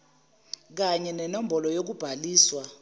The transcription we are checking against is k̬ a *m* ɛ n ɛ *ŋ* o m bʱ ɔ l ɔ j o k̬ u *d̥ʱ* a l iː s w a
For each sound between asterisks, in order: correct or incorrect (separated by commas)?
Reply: incorrect, incorrect, incorrect